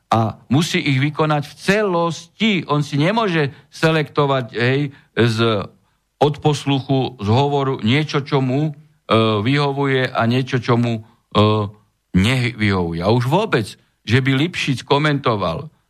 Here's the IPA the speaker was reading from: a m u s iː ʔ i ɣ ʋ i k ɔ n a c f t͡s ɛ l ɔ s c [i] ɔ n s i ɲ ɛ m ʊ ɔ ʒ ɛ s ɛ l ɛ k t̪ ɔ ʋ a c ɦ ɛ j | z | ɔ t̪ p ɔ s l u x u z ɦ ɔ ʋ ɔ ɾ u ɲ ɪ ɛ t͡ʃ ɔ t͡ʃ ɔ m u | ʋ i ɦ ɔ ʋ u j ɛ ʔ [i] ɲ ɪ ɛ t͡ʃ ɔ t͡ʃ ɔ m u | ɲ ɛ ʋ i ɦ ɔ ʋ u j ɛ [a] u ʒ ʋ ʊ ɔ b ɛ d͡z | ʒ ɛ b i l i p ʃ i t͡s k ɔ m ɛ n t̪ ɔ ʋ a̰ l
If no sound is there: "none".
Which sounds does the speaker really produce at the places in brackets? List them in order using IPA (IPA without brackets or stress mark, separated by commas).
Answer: i, a, a